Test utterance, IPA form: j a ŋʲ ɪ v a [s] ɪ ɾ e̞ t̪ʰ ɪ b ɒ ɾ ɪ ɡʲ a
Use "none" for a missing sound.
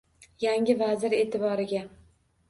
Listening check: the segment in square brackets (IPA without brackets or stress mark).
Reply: z